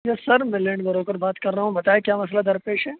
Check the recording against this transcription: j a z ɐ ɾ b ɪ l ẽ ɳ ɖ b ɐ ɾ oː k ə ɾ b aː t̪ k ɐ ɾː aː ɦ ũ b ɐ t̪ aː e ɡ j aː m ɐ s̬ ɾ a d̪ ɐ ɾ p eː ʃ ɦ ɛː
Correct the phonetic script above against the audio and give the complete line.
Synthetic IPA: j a s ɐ ɾ m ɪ l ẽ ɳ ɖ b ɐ ɾ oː k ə ɾ b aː t̪ k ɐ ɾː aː ɦ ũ b ɐ t̪ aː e k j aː m ɐ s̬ l a d̪ ɐ ɾ p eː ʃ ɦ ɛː

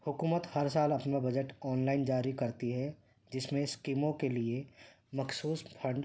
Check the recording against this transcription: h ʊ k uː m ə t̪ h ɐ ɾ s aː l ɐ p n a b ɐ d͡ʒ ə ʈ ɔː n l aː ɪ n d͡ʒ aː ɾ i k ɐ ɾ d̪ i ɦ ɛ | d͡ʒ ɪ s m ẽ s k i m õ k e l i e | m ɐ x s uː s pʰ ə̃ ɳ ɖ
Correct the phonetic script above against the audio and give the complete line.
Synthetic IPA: h ʊ k uː m ə t̪ h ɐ ɾ s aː l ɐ p n a b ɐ d͡ʒ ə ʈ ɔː n l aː ɪ n d͡ʒ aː ɾ i k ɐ ɾ t̪ i ɦ ɛ | d͡ʒ ɪ s m ẽ s k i m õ k e l i e | m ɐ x s uː s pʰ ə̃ ɳ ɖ

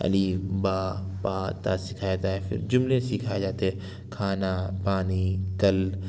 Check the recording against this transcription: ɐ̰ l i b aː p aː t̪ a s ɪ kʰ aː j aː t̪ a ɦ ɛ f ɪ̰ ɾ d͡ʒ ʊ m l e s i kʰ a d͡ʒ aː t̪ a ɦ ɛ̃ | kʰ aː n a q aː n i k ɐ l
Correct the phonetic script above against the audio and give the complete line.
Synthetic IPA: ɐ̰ l i b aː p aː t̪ a s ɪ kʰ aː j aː t̪ a ɦ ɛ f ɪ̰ ɾ d͡ʒ ʊ m l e s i kʰ a d͡ʒ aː t̪ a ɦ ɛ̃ | kʰ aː n a p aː n i k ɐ l

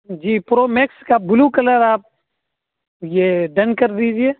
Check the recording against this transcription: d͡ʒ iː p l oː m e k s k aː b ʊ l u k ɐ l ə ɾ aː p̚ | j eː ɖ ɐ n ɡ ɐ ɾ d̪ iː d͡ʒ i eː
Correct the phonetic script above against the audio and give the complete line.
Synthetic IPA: d͡ʒ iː p ɾ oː m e k s k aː b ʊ l u k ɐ l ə ɾ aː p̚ | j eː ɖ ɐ n k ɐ ɾ d̪ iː d͡ʒ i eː

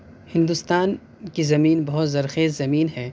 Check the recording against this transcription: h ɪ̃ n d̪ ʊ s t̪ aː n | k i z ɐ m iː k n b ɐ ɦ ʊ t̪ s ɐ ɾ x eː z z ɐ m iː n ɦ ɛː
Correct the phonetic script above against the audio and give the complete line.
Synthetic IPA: h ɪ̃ n d̪ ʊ s t̪ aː n | k i z ɐ m iː n b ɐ ɦ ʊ t̪ z ɐ ɾ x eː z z ɐ m iː n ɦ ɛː

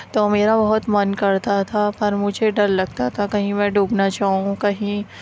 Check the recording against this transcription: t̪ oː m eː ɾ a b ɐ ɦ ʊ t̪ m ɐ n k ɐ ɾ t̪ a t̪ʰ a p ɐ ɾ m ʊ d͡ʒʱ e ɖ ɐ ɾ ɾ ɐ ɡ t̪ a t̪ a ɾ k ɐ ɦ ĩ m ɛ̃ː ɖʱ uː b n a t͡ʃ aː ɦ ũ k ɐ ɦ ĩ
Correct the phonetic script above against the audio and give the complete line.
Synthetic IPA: t̪ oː m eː ɾ a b ɐ ɦ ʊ t̪ m ɐ n k ɐ ɾ t̪ a t̪ʰ a p ɐ ɾ m ʊ d͡ʒʱ e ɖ ɐ ɾ l ɐ ɡ t̪ a t̪ʰ a k ɐ ɦ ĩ m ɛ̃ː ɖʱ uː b n a t͡ʃ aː ɦ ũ k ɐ ɦ ĩ

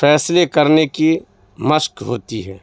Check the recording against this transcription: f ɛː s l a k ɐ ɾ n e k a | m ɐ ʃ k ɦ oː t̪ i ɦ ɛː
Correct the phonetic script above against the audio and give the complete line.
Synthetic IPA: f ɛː s l e k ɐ ɾ n e k i | m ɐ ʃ k ɦ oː t̪ i ɦ ɛː

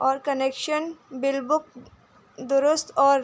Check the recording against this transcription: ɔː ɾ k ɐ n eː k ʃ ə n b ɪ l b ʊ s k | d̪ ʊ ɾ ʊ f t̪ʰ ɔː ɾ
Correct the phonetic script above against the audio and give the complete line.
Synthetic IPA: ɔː ɾ k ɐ n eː k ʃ ə n b ɪ l b ʊ k | d̪ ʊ ɾ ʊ s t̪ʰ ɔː ɾ

